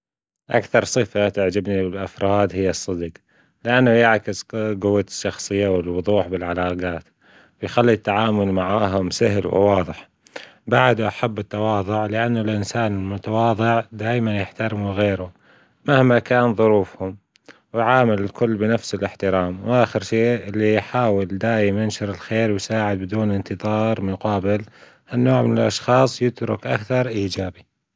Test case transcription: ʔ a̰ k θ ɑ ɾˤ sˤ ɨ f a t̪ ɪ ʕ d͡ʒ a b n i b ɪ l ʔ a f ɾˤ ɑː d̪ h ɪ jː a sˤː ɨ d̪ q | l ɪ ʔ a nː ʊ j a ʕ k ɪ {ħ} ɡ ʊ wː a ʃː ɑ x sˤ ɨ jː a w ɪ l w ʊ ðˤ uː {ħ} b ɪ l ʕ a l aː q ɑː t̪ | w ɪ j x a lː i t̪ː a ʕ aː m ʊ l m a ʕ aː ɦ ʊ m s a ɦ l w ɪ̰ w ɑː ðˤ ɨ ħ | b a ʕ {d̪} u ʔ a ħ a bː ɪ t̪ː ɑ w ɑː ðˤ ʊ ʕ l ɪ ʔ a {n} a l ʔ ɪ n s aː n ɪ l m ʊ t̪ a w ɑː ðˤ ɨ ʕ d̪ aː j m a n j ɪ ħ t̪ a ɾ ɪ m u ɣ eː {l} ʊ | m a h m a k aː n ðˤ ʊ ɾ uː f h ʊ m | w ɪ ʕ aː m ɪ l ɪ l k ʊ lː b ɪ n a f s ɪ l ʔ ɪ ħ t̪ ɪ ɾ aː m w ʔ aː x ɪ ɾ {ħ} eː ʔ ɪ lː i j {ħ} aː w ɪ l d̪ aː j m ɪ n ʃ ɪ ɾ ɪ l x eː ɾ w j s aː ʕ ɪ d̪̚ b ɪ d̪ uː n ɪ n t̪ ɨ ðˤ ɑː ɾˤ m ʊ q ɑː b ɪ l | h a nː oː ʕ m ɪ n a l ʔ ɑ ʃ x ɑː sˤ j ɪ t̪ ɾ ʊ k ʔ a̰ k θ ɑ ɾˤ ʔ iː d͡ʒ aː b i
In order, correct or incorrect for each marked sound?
incorrect: s, correct, correct, incorrect: nː, incorrect: ɾ, incorrect: ʃ, correct

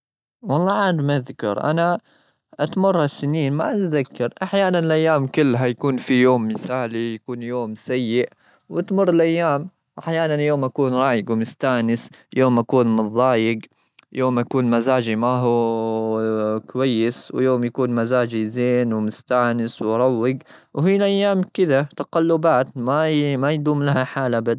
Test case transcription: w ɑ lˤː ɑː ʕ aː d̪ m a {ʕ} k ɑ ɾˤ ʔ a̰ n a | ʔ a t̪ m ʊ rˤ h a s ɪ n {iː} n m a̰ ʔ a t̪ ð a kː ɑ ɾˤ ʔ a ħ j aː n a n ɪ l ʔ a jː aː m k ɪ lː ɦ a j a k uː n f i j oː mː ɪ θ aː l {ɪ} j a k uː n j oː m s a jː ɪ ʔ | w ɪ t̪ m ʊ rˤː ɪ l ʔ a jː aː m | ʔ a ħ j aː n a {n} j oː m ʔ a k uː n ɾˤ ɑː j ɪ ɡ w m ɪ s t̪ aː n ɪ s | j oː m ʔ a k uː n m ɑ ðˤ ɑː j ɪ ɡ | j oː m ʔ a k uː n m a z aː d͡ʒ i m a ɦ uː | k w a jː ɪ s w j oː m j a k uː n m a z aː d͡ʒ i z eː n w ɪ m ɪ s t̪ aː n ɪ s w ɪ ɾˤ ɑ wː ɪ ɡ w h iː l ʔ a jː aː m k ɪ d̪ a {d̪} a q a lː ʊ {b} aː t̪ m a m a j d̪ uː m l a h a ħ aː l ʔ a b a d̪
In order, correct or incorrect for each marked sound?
incorrect: ð, correct, incorrect: i, correct, incorrect: t̪, correct

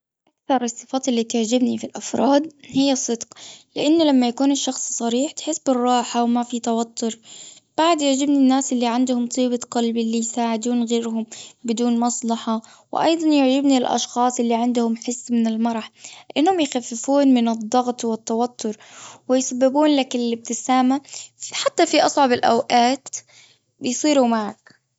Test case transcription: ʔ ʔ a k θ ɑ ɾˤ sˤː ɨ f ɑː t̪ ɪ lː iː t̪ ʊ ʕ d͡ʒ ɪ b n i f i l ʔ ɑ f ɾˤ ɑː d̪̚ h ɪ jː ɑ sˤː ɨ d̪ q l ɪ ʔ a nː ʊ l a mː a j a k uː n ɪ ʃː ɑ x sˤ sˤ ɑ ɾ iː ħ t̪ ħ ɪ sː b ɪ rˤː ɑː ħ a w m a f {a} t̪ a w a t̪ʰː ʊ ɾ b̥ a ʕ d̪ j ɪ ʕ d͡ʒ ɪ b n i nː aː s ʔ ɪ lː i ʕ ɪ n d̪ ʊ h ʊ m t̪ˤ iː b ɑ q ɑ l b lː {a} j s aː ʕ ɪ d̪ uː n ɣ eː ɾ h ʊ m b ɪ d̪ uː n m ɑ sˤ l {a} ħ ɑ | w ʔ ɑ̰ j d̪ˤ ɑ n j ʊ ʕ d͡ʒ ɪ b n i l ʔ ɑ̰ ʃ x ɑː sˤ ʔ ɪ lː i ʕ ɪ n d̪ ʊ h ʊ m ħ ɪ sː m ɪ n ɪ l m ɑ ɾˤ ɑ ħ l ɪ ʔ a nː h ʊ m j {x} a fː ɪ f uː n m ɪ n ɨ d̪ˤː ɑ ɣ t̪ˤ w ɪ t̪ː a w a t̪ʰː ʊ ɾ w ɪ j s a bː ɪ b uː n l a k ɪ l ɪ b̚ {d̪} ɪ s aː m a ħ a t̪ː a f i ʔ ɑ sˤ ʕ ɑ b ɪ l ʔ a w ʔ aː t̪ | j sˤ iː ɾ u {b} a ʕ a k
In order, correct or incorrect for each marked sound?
incorrect: i, incorrect: i, incorrect: ɑ, correct, incorrect: t̪, incorrect: m

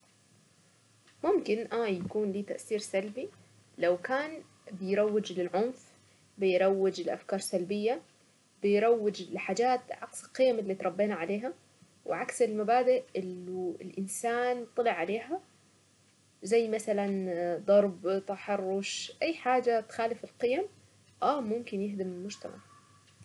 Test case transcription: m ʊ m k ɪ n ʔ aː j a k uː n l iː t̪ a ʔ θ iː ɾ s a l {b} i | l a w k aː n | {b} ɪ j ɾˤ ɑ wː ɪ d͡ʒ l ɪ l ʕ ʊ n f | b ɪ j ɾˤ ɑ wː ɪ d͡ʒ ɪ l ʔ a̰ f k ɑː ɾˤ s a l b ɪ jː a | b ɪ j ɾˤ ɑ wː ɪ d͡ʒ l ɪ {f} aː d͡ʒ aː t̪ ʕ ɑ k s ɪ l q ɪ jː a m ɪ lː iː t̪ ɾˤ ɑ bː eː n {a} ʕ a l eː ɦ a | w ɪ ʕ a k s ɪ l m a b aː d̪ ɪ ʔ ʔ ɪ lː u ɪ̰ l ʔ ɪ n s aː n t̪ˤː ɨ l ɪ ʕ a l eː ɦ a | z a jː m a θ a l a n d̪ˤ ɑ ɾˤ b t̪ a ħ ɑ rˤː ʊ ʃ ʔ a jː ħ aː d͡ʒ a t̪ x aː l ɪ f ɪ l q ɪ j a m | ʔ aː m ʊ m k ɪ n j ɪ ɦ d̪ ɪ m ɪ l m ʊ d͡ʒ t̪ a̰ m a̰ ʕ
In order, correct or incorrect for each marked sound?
correct, correct, incorrect: ħ, correct

